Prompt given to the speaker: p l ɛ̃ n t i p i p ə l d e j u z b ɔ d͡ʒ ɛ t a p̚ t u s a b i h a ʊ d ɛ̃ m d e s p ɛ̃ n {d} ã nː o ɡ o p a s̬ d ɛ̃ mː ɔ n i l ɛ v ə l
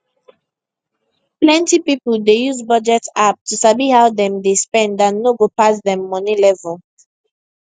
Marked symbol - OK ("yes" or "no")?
yes